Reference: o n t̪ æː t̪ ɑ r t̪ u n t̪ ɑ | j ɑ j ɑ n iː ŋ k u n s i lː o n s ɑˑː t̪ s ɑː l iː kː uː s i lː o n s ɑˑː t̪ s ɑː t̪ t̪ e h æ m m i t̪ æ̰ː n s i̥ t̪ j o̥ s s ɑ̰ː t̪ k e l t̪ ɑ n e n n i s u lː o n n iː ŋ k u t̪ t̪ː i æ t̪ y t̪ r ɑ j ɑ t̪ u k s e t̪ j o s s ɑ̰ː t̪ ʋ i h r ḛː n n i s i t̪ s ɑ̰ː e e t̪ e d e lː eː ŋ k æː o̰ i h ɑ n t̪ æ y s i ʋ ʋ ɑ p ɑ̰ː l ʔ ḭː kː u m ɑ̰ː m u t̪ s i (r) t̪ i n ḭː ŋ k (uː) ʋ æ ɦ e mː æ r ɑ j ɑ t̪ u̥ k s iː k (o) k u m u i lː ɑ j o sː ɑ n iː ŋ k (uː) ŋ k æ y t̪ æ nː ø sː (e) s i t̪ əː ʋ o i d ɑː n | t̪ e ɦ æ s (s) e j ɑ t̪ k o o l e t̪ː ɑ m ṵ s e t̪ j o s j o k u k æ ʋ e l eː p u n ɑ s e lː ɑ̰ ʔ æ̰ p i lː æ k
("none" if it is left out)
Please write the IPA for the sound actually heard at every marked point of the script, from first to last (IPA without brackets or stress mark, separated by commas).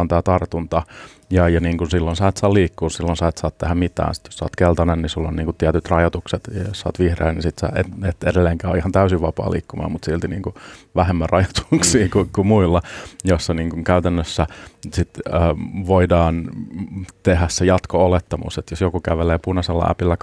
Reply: l, u, u, u, æ, s